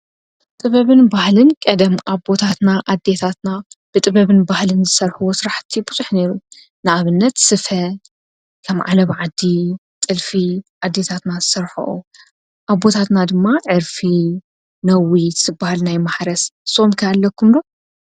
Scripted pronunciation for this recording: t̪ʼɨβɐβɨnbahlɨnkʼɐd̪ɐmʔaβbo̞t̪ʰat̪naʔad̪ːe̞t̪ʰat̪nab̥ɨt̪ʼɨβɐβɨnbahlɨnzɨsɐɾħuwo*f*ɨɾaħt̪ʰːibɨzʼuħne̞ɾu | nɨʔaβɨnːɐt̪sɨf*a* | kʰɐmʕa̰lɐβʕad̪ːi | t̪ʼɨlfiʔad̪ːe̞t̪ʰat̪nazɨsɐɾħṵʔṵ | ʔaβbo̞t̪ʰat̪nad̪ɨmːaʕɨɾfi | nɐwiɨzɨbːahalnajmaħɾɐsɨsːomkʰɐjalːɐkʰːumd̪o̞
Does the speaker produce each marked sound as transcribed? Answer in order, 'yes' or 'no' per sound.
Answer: no, no

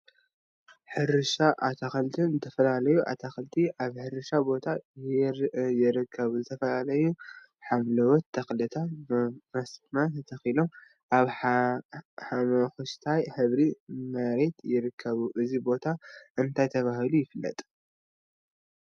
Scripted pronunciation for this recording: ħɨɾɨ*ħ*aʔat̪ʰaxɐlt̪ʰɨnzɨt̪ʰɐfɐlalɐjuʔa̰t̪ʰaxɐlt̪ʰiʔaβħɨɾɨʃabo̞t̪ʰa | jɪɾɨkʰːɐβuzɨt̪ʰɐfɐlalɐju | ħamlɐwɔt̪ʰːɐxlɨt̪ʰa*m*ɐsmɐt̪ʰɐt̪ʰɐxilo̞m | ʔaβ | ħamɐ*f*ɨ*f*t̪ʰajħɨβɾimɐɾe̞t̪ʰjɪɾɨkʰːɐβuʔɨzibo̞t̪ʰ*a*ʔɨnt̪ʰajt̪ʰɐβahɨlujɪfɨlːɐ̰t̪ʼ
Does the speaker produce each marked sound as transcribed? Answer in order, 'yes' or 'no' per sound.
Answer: no, yes, no, no, yes

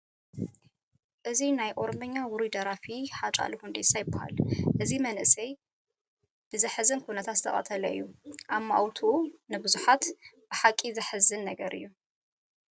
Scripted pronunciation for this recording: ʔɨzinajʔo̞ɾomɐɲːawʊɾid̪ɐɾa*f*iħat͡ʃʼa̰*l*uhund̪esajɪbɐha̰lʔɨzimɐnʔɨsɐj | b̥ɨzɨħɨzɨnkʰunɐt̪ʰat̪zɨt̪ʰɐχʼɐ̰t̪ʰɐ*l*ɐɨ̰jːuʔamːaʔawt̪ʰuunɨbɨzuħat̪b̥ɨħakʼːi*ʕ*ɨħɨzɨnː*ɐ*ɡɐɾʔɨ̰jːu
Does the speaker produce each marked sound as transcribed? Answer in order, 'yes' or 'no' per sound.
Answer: yes, yes, yes, no, yes

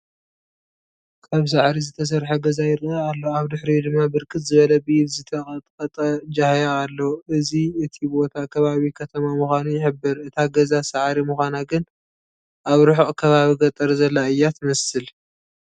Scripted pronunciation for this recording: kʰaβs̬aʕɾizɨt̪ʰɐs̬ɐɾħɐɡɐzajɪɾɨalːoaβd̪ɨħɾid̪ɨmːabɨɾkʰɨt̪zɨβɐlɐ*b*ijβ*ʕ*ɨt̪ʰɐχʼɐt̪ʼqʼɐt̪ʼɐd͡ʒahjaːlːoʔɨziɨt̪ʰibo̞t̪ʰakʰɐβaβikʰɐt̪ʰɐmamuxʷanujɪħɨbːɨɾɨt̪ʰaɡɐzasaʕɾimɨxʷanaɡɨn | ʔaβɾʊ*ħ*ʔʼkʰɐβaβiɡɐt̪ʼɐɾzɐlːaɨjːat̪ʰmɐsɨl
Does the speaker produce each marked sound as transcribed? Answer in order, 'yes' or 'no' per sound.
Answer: yes, no, yes

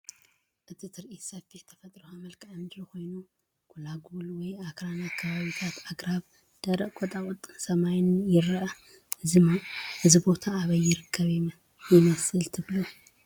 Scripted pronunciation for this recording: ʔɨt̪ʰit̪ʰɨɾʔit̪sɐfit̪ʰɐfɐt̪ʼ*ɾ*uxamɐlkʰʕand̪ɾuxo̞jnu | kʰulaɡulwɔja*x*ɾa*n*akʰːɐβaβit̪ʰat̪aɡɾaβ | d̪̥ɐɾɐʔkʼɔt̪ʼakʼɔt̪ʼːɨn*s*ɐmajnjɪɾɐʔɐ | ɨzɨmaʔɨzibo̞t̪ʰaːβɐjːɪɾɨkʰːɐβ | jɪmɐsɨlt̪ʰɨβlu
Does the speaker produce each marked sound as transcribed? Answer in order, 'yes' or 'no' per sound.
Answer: yes, no, yes, yes

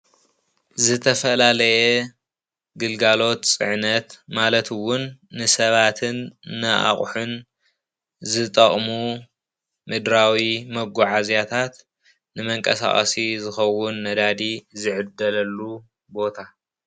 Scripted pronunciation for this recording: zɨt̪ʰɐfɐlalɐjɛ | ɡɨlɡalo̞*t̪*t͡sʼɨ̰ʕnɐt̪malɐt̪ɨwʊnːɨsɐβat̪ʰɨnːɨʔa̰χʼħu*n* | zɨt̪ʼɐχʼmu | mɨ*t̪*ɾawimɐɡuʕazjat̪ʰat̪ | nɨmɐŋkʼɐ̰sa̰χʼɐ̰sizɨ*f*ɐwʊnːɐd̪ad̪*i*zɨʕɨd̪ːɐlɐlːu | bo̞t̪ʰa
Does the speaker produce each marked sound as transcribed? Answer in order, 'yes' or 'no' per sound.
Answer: yes, yes, no, no, yes

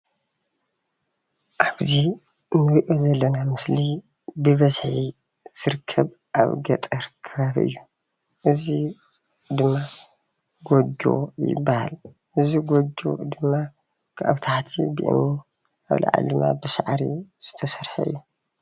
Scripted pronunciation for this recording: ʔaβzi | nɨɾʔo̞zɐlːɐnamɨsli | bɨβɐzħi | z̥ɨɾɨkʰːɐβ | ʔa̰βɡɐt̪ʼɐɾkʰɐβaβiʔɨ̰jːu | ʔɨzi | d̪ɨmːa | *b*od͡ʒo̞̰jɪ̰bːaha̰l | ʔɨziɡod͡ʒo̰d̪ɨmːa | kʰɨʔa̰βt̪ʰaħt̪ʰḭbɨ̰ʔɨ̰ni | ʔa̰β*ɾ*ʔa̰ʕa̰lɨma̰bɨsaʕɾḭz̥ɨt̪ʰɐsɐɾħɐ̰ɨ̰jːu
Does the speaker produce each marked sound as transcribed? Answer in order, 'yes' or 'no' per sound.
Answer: no, no

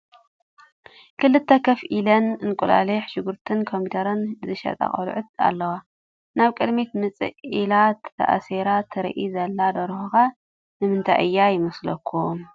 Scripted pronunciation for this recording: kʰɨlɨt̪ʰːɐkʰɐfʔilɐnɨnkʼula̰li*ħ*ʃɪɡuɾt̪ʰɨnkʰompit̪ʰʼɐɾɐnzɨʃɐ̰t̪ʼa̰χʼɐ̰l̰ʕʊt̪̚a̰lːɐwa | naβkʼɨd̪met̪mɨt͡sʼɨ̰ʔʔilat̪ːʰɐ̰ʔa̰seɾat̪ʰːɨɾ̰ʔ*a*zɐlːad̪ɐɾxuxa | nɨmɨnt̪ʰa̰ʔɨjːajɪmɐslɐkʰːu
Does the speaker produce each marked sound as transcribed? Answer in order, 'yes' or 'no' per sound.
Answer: yes, no

